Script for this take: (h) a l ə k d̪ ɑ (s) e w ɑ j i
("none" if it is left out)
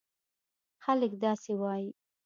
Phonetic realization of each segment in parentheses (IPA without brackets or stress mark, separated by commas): x, s